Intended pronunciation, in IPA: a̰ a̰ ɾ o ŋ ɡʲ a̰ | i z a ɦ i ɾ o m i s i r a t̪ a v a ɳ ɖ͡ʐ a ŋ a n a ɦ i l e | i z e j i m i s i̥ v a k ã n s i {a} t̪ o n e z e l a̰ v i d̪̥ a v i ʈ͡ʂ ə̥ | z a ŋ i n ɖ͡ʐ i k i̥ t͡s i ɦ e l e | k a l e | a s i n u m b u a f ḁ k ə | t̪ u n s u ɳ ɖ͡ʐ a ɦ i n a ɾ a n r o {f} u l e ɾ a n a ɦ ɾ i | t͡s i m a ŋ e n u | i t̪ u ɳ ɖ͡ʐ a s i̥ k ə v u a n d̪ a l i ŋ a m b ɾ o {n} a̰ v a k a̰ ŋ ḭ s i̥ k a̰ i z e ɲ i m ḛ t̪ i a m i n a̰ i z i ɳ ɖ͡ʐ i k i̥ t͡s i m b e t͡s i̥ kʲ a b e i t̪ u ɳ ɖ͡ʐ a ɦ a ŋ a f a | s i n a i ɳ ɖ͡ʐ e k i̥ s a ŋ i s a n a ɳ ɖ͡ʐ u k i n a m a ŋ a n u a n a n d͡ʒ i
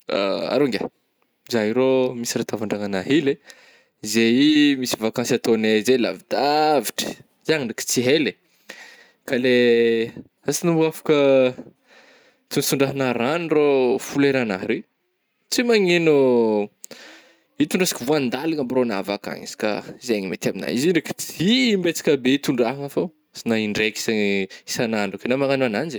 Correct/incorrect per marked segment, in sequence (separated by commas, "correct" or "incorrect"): correct, correct, correct